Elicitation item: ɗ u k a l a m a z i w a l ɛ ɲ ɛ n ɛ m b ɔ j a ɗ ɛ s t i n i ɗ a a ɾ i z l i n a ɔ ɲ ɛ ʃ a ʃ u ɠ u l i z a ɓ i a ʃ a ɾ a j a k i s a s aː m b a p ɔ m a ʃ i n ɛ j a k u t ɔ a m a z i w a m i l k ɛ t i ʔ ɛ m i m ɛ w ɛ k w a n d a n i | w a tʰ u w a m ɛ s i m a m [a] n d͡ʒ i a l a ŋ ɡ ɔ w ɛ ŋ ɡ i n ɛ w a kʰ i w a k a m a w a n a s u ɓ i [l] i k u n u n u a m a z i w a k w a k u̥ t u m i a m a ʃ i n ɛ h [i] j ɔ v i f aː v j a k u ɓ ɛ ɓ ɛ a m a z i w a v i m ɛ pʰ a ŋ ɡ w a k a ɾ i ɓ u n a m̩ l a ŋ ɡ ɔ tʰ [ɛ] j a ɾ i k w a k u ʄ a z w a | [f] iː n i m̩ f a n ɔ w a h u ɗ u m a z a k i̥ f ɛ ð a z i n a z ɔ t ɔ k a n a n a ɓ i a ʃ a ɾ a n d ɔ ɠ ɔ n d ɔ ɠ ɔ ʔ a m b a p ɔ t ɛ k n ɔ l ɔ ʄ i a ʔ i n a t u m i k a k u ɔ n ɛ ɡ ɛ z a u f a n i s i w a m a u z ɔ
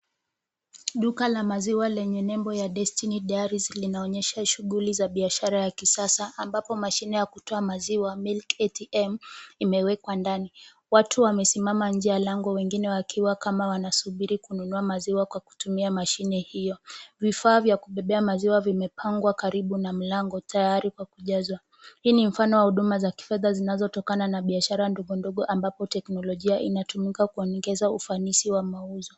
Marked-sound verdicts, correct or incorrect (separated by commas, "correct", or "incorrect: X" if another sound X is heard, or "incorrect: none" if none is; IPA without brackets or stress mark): correct, incorrect: ɾ, correct, incorrect: a, incorrect: h